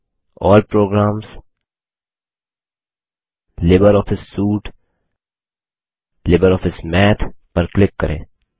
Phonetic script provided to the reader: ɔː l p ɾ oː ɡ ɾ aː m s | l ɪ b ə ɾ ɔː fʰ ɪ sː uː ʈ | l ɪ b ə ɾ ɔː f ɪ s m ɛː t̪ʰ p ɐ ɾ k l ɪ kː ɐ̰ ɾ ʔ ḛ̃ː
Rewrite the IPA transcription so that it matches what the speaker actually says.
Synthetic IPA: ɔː l p ɾ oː ɡ ɾ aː m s | l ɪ b ə ɾ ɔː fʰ ɪ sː uː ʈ | l ɪ b ə ɾ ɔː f ɪ s m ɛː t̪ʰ p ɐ ɾ k l ɪ kː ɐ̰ ɾ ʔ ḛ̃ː